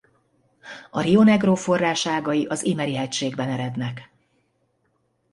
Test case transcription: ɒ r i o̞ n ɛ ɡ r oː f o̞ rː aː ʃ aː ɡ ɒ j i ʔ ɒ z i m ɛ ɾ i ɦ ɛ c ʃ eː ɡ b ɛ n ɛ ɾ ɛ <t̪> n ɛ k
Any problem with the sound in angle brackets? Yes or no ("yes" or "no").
yes